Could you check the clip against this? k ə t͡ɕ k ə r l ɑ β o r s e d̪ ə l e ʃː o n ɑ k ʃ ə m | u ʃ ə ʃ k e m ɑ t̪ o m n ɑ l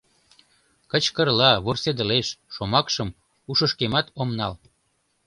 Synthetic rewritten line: k ə t͡ɕ k ə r l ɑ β o r s e d̪ ə l e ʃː o m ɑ k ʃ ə m | u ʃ ə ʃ k e m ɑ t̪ o m n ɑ l